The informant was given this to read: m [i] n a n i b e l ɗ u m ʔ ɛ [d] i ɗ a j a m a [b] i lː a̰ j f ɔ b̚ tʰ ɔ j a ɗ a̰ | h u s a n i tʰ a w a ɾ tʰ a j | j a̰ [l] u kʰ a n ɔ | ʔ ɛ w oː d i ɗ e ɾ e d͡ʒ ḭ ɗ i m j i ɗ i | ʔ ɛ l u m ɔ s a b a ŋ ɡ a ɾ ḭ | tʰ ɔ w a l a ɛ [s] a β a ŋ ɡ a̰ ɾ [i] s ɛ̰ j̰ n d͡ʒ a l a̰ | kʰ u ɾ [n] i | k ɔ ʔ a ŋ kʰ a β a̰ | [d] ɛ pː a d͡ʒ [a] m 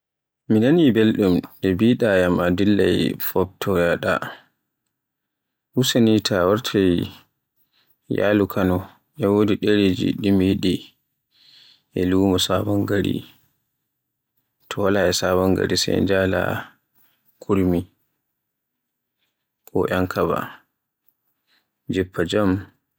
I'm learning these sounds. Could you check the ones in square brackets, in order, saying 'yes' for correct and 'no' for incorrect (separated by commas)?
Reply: yes, no, no, yes, yes, yes, no, no, yes